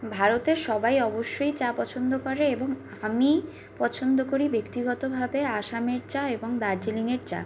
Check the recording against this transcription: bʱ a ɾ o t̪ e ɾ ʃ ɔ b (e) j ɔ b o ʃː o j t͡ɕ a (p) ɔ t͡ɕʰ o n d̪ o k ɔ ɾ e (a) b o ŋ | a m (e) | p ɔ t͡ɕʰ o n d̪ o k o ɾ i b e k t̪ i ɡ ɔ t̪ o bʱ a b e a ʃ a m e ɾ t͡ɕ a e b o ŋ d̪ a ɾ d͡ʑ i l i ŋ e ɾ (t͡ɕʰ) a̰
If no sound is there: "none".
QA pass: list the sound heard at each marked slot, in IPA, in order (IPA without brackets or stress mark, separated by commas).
a, p, e, i, t͡ɕ